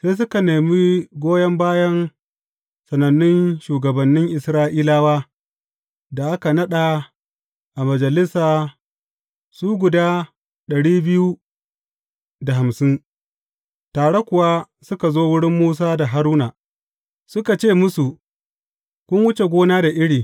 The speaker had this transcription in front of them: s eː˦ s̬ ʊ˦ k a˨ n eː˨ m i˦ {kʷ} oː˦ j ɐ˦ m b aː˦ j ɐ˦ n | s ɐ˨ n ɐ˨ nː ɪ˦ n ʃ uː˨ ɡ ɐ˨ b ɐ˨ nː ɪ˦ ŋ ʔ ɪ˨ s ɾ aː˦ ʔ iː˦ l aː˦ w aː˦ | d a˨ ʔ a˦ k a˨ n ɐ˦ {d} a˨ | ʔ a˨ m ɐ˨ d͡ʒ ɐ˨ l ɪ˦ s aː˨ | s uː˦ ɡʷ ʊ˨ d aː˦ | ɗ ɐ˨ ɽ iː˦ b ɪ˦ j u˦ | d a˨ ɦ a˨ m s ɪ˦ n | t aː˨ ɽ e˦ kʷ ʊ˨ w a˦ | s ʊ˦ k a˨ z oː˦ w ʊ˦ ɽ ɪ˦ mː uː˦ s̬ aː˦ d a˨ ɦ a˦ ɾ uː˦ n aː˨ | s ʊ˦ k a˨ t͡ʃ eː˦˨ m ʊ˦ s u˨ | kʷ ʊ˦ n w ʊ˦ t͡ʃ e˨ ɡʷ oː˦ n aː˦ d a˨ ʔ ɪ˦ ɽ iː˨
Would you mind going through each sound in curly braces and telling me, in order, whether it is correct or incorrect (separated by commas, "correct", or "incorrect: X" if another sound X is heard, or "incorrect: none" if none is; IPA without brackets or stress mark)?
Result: incorrect: ɡʷ, incorrect: ɗ